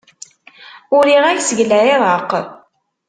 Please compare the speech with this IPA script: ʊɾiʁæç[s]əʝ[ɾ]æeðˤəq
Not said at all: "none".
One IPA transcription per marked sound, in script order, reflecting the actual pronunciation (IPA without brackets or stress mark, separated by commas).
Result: s, l